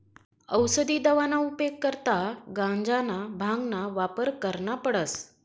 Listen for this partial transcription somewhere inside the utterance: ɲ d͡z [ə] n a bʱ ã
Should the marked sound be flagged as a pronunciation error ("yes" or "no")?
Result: yes